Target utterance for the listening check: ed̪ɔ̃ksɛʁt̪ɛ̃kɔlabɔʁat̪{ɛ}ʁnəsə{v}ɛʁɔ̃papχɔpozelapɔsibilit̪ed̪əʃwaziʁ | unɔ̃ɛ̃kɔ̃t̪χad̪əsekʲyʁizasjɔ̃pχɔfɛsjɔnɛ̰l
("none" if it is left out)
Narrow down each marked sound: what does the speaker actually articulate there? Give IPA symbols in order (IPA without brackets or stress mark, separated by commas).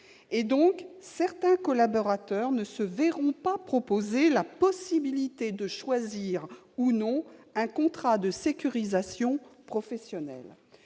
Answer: œ, v